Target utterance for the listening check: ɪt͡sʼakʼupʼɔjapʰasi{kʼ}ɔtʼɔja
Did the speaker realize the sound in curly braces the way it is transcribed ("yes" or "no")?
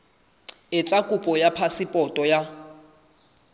no